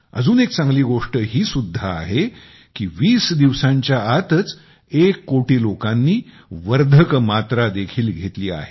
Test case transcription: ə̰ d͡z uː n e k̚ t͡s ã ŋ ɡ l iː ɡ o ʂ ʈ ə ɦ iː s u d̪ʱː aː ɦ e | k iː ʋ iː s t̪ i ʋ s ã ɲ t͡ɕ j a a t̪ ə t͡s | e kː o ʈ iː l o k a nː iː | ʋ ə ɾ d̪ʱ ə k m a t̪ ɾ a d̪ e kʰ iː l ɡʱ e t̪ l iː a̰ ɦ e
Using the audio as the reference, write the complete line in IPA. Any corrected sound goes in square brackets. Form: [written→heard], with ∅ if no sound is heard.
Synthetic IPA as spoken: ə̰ d͡z uː n e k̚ t͡s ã ŋ ɡ l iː ɡ o ʂ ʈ ə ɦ iː s u d̪ʱː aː ɦ e | k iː ʋ iː s [t̪→d̪] i ʋ s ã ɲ t͡ɕ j a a t̪ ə t͡s | e kː o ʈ iː l o k a nː iː | ʋ ə ɾ d̪ʱ ə k m a t̪ ɾ a d̪ e kʰ iː l ɡʱ e t̪ l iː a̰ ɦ e